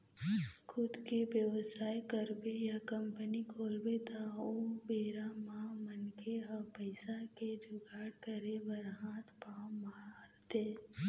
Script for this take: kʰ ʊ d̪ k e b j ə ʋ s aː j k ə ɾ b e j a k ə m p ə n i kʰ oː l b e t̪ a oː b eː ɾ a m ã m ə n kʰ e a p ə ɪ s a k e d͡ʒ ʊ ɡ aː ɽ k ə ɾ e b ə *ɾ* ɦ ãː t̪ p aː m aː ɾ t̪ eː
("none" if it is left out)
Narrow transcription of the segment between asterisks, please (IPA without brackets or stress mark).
ɾ